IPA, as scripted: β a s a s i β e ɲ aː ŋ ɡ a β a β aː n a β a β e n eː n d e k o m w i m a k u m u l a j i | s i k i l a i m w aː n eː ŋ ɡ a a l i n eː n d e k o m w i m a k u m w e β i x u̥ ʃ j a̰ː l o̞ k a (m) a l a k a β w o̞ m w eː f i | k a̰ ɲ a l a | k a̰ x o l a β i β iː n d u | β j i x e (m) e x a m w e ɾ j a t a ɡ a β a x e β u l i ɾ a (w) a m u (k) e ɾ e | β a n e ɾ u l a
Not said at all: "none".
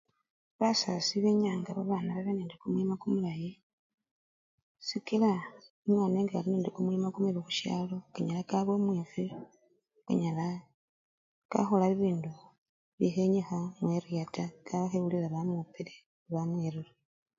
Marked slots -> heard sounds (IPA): ɲ, ɲ, β, p

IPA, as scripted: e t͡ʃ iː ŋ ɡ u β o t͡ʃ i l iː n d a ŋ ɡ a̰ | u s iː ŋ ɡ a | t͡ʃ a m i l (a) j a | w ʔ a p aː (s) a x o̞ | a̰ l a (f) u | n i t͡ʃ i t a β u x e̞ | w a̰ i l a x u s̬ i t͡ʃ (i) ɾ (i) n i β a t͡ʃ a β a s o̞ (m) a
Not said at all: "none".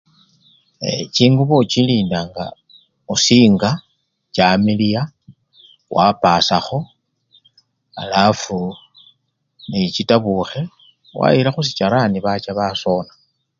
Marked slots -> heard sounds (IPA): i, s, f, a, a, n

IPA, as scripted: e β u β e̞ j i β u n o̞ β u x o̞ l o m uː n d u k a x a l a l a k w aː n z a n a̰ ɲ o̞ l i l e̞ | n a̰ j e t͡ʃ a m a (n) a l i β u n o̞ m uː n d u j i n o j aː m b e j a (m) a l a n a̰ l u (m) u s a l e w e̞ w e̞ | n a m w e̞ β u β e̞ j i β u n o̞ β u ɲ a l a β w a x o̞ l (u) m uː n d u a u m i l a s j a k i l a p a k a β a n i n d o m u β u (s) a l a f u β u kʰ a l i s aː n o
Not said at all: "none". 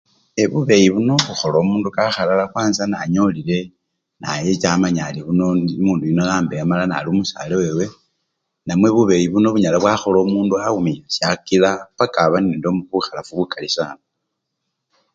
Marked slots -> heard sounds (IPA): ɲ, m, m, o, x

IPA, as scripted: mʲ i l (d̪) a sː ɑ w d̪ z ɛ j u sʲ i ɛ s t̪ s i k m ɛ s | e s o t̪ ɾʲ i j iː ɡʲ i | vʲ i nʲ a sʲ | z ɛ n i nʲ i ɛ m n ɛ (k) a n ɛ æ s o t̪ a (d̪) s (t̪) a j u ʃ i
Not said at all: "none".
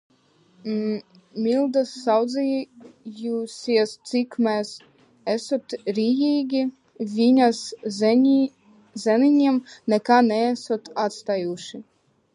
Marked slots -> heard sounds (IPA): d̪, k, t̪, t̪

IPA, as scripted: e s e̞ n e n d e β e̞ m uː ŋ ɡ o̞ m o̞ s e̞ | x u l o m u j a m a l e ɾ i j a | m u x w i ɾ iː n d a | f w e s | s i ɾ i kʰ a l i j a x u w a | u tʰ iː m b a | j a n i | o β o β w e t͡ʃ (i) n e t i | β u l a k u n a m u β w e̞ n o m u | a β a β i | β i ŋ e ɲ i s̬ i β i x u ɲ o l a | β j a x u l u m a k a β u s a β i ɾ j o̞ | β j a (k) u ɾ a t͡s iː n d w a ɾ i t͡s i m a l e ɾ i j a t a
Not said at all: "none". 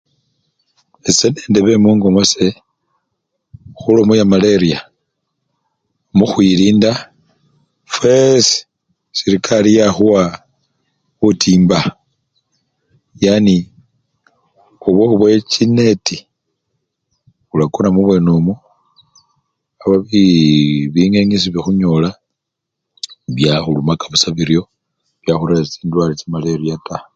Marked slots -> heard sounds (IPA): i, x

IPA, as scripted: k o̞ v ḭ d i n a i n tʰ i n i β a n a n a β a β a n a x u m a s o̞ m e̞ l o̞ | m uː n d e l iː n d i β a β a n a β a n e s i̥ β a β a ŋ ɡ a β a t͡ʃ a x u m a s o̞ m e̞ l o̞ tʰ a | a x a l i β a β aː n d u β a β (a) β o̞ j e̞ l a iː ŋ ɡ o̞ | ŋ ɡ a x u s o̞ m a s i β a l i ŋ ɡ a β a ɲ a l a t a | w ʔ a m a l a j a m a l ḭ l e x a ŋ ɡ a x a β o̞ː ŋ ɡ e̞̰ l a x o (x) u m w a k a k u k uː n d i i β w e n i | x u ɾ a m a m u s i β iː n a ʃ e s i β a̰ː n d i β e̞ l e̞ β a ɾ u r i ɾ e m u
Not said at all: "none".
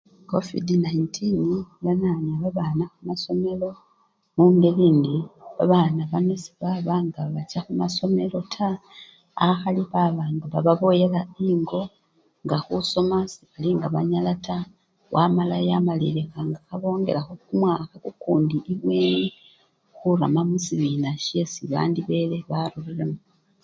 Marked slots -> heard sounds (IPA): a, k

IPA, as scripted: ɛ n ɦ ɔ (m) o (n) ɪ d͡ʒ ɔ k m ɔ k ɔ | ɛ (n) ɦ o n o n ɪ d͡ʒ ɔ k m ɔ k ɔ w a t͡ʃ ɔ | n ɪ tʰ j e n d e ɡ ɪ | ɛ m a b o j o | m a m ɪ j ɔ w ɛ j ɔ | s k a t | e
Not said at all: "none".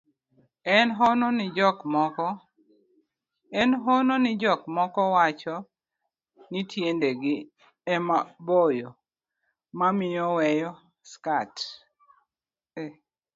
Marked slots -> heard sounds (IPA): n, n, n

